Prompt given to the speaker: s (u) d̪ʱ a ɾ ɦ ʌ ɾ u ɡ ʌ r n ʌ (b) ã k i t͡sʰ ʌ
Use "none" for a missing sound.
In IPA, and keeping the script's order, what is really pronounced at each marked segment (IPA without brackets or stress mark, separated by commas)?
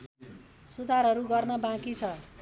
u, b